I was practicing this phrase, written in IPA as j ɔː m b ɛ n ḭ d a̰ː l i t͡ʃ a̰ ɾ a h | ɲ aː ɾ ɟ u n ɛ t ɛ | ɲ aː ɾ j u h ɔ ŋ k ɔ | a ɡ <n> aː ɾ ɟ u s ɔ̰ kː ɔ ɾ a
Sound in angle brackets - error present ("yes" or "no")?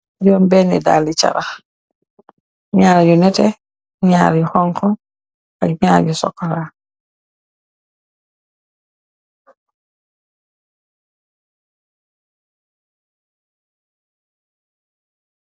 yes